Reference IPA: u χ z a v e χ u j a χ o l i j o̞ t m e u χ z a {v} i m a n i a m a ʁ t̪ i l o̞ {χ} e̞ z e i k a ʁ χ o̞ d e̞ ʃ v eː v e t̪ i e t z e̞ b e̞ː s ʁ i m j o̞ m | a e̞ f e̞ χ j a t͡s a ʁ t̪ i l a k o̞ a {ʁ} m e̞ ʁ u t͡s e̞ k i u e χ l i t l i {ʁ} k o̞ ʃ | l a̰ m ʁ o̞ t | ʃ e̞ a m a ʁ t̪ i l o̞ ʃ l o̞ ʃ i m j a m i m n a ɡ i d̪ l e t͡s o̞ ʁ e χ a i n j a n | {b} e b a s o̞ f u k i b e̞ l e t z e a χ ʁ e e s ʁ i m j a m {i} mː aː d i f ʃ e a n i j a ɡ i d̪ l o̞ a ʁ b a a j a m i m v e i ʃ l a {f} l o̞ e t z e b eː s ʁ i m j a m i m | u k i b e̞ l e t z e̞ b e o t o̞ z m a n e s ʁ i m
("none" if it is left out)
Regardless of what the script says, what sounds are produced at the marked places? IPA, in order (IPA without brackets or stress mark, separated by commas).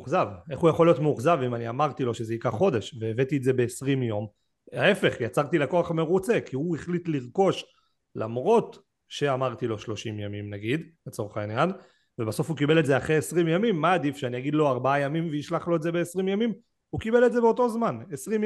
v, ʃ, χ, ʁ, v, i, χ